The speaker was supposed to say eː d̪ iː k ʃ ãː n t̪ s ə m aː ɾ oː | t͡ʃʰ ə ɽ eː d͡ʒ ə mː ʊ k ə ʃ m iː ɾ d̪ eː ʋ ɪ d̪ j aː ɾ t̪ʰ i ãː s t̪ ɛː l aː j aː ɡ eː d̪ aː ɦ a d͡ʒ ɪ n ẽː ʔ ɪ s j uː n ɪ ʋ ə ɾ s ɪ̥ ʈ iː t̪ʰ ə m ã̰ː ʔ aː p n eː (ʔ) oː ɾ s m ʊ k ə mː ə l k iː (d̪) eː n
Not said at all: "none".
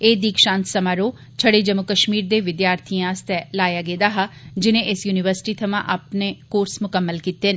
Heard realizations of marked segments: k, t̪

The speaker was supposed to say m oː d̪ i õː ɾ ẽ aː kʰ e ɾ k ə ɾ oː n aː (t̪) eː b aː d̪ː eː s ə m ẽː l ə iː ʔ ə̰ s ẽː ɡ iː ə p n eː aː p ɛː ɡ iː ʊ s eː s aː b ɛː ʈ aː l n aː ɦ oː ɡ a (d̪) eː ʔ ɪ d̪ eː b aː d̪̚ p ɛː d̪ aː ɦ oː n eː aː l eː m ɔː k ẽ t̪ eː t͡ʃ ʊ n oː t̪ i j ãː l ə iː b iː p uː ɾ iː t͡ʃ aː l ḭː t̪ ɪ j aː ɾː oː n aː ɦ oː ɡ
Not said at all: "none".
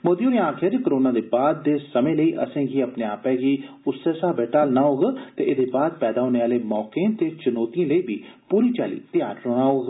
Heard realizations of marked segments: d̪, t̪

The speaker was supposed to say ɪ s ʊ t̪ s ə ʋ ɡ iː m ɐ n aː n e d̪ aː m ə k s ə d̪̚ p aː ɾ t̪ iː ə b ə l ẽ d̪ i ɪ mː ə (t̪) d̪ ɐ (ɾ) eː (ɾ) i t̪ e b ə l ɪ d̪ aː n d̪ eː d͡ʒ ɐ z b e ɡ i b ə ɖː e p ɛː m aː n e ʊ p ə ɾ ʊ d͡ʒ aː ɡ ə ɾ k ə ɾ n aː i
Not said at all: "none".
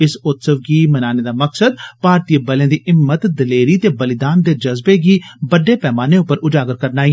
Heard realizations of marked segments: t̪, l, ɾ

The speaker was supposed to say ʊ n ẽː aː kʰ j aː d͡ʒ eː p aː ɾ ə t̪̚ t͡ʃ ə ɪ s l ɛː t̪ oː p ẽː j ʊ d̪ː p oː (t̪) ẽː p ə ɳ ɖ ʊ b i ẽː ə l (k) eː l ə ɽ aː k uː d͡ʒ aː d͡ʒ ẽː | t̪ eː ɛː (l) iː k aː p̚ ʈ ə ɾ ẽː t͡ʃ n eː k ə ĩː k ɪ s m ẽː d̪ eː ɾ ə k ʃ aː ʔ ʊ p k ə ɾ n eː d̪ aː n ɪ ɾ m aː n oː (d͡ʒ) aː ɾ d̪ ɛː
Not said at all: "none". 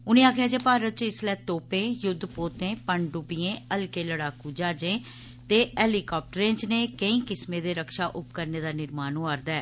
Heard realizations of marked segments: t̪, k, l, none

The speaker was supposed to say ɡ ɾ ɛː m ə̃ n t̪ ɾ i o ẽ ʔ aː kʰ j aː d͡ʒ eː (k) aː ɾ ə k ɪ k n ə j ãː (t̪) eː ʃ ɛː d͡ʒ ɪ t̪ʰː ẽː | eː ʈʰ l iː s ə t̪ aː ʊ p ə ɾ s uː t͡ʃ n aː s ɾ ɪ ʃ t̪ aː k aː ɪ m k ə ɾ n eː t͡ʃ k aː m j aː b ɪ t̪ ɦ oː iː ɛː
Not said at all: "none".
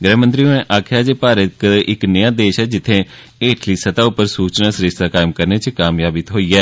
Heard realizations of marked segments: p, d̪

